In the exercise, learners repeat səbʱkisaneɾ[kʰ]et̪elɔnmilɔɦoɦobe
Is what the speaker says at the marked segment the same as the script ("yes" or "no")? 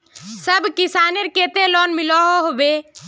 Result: no